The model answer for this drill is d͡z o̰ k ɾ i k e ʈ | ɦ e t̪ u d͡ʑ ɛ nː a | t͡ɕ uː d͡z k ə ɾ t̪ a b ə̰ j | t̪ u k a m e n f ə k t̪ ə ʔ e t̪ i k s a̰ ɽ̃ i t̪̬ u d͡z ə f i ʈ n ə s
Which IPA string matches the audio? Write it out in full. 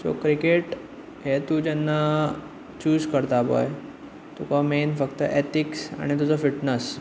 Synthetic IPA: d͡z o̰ k ɾ i k e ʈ | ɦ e t̪ u d͡ʑ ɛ nː a | t͡ɕ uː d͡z k ə ɾ t̪ a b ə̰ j | t̪ u k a m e n f ə k t̪ ə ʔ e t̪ i k s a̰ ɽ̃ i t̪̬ u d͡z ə f i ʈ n ə s